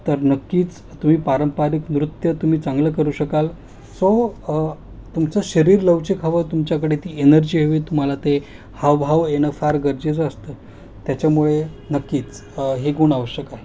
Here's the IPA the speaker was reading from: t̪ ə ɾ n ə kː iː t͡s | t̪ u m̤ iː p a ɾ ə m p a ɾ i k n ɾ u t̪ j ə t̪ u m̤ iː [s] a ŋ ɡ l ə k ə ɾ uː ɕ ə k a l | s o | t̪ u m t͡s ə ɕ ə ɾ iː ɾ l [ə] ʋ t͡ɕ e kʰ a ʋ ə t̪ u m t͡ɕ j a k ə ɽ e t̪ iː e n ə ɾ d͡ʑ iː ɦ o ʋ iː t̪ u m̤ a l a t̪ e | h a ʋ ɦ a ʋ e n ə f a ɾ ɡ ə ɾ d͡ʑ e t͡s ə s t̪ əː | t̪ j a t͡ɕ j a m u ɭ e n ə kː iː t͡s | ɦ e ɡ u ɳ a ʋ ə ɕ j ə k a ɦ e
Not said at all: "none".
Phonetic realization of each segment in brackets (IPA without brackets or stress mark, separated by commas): t͡s, ə